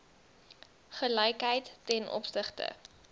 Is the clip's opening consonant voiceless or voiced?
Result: voiceless